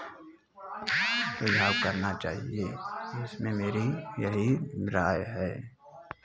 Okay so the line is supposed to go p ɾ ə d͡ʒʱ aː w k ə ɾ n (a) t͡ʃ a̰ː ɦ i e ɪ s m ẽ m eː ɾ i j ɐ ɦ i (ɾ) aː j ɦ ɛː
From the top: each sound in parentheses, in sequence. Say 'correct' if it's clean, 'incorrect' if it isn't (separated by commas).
correct, correct